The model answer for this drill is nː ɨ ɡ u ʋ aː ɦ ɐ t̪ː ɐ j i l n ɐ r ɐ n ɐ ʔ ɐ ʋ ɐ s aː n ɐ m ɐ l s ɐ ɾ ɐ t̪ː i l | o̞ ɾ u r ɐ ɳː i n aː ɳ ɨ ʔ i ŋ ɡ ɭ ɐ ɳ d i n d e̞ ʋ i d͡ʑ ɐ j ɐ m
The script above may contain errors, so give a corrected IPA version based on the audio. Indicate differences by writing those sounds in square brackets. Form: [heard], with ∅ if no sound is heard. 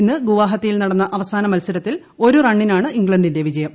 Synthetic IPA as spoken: nː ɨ ɡ u ʋ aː ɦ ɐ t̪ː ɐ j i l n ɐ [ɽ] ɐ [nː] ɐ ʔ ɐ ʋ ɐ s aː n ɐ m ɐ l s ɐ ɾ ɐ t̪ː i l | o̞ ɾ u r ɐ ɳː i n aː ɳ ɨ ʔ i ŋ ɡ ɭ ɐ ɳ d i n d e̞ ʋ i d͡ʑ ɐ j ɐ m